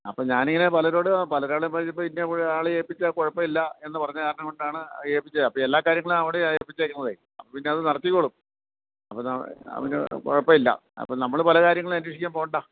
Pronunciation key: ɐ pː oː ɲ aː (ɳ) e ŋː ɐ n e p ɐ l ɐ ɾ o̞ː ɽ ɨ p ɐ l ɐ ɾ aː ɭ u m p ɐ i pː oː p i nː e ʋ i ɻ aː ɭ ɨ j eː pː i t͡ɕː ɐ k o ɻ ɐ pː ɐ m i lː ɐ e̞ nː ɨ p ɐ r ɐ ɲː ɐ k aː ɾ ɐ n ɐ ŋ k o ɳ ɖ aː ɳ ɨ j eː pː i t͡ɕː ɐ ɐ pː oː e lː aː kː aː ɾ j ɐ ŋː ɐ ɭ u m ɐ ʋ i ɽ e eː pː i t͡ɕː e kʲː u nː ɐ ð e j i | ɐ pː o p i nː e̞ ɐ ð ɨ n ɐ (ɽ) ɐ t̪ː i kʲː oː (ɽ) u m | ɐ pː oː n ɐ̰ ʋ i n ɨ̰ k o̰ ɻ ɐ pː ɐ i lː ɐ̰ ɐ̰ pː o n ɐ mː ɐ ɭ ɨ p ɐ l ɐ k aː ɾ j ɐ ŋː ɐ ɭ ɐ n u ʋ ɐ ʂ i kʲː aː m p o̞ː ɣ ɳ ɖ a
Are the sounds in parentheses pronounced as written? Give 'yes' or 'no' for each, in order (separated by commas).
no, no, no